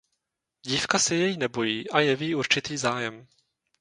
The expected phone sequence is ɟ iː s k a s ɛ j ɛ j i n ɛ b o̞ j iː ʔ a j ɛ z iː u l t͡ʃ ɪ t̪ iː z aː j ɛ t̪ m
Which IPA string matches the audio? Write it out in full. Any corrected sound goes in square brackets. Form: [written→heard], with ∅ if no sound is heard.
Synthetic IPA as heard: ɟ iː [s→f] k a s ɛ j ɛ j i n ɛ b o̞ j iː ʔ a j ɛ [z→v] iː u [l→ɾ] t͡ʃ ɪ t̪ iː z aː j ɛ [t̪→∅] m

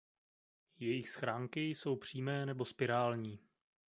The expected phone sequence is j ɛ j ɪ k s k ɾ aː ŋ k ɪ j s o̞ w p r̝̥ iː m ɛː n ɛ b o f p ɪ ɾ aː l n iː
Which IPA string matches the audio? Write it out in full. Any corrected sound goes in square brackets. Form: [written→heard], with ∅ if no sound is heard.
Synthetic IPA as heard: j ɛ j ɪ [k→x] s [k→x] ɾ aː ŋ k ɪ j s o̞ w p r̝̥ iː m ɛː n ɛ b o [f→s] p ɪ ɾ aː l [n→ɲ] iː

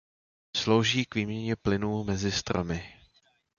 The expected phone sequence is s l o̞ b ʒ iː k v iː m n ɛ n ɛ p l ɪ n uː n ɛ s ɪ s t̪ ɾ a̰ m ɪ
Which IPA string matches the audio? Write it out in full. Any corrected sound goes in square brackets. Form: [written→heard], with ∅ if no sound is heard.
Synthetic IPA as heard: s l o̞ [b→w] ʒ iː k v iː m [n→ɲ] ɛ [n→ɲ] ɛ p l ɪ n uː [n→m] ɛ [s→z] ɪ s t̪ ɾ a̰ m ɪ

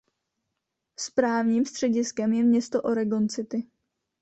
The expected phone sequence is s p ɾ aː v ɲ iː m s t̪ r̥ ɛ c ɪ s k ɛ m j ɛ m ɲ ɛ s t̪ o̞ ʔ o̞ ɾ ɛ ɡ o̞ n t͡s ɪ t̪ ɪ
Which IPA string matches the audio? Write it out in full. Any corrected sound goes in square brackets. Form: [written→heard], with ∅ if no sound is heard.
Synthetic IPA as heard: s p ɾ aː v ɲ iː m s t̪ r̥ ɛ [c→ɟ] ɪ s k ɛ m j ɛ m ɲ ɛ s t̪ o̞ ʔ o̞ ɾ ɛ ɡ o̞ n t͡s ɪ t̪ ɪ

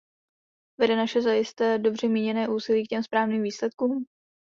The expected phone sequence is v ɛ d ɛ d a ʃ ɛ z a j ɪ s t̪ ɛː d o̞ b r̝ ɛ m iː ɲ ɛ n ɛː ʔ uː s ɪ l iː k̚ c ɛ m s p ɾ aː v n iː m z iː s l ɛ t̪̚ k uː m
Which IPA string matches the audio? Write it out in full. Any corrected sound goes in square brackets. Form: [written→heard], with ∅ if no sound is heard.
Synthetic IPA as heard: v ɛ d ɛ [d→n] a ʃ ɛ z a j ɪ s t̪ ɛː d o̞ b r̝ ɛ m iː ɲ ɛ n ɛː ʔ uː s ɪ l iː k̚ c ɛ m s p ɾ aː v n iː m [z→v] iː s l ɛ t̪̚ k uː m

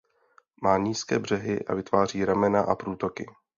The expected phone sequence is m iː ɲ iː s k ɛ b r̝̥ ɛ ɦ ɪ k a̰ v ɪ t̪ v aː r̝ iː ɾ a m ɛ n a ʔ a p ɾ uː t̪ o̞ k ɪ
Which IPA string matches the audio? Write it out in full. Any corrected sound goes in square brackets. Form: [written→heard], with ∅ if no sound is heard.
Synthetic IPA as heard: m [iː→aː] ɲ iː s k [ɛ→ɛː] b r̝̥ ɛ ɦ ɪ [k→ʔ] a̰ v ɪ t̪ v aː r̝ iː ɾ a m ɛ n a ʔ a p ɾ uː t̪ o̞ k ɪ

